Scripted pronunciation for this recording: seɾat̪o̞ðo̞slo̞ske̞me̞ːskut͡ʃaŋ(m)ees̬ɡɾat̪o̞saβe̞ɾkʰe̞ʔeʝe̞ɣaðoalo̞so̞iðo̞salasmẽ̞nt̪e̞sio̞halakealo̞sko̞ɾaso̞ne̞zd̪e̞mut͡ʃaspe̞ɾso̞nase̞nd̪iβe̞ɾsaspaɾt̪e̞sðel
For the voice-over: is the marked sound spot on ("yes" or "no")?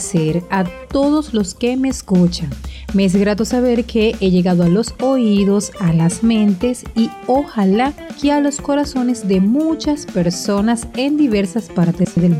yes